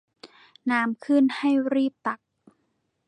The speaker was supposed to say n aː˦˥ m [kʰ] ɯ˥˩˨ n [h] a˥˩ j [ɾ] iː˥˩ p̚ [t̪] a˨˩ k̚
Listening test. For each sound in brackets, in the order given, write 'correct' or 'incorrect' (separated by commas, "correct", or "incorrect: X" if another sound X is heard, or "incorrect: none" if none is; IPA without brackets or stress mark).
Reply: correct, correct, correct, correct